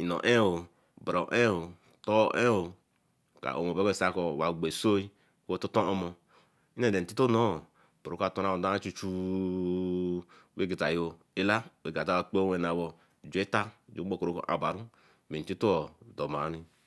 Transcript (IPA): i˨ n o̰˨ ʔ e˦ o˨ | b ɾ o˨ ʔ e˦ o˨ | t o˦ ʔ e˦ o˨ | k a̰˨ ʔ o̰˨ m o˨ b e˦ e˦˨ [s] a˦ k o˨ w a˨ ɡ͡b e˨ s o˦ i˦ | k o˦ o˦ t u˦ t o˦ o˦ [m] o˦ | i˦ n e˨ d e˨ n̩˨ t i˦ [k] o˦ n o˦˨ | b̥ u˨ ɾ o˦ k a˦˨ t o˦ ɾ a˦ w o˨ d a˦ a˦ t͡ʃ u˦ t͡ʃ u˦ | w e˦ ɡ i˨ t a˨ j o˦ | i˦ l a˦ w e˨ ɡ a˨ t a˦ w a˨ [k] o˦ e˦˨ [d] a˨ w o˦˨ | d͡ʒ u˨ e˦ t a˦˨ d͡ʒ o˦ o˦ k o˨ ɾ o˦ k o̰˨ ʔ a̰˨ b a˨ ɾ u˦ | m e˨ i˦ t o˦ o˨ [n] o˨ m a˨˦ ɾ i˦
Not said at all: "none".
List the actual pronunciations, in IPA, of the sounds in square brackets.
s, m, t, k͡p, n, d

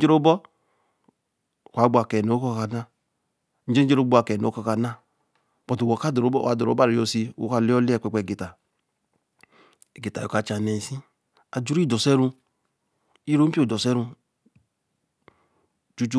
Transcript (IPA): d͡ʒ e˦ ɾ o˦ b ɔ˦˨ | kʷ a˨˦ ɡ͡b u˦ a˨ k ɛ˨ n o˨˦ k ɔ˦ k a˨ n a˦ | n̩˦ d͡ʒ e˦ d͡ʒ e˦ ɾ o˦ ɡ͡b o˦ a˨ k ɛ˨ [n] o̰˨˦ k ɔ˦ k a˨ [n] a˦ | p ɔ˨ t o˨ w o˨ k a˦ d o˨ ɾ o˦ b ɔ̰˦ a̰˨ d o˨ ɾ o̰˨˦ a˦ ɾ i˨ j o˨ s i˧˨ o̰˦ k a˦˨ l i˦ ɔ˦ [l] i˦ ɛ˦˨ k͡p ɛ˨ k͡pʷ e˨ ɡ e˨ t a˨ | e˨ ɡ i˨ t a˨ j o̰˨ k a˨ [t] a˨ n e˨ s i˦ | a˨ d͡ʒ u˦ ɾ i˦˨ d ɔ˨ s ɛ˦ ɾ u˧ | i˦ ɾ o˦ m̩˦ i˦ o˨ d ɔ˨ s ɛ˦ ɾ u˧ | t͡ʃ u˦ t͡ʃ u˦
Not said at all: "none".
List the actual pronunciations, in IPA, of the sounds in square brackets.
n, n, l, t͡ʃ

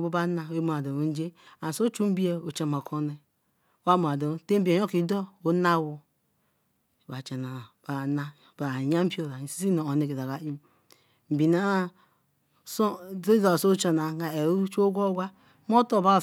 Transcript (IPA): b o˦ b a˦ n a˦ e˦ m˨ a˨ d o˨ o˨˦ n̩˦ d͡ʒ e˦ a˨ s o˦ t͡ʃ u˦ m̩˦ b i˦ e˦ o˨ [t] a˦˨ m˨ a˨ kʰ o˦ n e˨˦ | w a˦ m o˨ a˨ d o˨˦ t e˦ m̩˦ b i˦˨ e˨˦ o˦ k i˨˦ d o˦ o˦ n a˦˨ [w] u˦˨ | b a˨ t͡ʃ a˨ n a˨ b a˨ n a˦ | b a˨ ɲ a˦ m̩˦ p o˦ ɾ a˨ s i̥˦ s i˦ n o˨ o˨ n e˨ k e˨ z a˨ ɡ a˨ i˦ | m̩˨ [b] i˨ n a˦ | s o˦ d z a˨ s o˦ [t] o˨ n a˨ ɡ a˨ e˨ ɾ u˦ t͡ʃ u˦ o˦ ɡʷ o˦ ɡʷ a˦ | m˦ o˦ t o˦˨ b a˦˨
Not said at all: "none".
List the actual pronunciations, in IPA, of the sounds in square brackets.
t͡ʃ, w, b, t͡ʃ

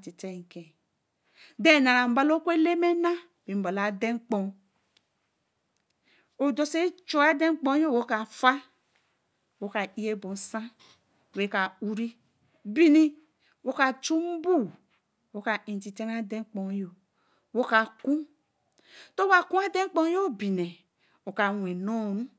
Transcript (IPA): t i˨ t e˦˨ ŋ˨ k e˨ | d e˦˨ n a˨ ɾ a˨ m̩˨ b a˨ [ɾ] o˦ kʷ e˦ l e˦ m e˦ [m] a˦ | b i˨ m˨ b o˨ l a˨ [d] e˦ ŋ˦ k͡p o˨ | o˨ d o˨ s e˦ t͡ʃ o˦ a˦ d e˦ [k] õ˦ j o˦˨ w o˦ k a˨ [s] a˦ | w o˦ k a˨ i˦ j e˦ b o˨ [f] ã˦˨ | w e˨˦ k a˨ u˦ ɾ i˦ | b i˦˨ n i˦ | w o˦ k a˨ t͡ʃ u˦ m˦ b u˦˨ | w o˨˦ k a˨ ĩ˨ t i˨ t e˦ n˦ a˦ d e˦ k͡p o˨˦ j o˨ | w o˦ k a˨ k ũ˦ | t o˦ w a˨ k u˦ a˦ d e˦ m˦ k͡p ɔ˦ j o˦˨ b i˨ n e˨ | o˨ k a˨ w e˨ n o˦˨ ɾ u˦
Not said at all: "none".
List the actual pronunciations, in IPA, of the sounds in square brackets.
l, n, d, k͡p, f, s

